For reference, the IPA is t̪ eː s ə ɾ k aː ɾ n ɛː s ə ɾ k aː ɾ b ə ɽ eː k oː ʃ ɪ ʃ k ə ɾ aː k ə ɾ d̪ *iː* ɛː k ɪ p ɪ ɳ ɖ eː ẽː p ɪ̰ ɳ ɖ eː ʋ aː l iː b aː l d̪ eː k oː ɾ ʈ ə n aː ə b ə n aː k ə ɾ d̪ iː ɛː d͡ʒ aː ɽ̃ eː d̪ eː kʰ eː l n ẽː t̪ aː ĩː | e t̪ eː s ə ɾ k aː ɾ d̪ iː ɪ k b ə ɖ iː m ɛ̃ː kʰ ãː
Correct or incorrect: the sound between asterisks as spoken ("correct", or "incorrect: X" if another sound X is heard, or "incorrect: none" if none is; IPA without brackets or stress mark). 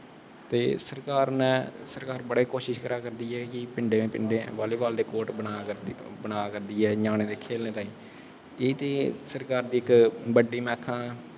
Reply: correct